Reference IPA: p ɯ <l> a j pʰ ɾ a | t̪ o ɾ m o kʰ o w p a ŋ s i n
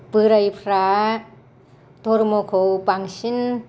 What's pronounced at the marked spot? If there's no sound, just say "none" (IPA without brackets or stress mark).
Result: ɾ